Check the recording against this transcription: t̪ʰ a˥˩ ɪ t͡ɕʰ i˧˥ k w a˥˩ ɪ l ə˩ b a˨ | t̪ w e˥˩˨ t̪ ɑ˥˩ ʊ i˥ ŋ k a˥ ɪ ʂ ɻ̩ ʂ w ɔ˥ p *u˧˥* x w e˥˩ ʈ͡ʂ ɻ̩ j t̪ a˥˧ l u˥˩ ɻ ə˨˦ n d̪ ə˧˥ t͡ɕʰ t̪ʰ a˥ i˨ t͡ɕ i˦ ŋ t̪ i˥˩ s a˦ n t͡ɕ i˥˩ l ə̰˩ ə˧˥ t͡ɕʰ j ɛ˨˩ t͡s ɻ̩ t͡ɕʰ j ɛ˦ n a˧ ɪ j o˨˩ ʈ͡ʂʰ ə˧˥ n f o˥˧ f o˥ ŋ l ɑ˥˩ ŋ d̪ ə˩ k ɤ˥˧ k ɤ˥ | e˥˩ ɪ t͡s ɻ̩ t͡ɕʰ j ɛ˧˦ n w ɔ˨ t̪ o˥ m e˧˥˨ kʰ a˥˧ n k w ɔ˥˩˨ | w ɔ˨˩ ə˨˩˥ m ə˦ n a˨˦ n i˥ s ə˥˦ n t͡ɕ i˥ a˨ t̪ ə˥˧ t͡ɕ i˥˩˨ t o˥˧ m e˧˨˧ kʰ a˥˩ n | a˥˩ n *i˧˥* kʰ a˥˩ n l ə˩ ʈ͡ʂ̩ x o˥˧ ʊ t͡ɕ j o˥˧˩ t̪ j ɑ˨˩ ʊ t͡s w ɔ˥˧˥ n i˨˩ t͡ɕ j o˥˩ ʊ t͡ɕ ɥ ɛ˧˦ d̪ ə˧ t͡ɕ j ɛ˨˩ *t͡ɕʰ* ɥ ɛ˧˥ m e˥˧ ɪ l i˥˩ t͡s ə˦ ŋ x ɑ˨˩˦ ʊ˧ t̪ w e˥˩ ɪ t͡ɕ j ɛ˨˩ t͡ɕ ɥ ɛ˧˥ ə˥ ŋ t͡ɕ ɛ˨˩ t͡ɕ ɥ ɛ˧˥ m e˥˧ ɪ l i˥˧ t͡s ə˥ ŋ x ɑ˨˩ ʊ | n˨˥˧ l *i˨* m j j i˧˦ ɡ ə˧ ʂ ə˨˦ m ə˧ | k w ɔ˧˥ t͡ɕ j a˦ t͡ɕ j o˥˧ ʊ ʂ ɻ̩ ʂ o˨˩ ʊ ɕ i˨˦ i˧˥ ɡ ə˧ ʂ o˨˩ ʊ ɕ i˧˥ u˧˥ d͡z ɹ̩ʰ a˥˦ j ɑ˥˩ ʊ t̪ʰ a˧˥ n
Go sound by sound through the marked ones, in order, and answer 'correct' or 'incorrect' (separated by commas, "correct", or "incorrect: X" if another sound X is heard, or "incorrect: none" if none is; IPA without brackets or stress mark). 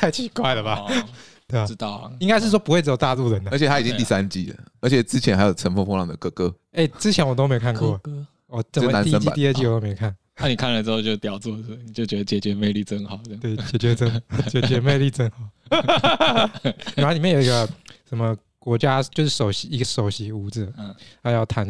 incorrect: u˧, incorrect: i˨˩, incorrect: t͡ɕ, correct